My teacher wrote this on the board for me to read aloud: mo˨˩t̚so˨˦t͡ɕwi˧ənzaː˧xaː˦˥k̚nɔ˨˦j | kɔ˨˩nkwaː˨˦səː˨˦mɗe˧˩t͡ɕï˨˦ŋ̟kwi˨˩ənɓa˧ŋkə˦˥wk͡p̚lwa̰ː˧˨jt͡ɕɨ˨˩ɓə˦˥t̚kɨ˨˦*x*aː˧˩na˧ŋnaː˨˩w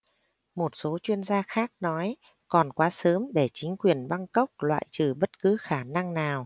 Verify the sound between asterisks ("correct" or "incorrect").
correct